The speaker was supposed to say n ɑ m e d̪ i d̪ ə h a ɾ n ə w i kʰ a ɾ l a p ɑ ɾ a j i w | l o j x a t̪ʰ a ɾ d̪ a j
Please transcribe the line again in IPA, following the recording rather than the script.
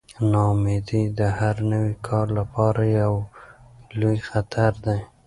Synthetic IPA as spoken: n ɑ m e d̪ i d̪ ə h a ɾ n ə w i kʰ ɑ ɾ l a p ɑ ɾ a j a w | l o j x a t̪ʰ a ɾ d̪ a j